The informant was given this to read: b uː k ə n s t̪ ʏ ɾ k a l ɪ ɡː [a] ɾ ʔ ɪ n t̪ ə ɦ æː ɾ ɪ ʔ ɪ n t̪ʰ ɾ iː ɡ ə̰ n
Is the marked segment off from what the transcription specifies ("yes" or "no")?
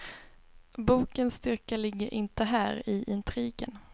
yes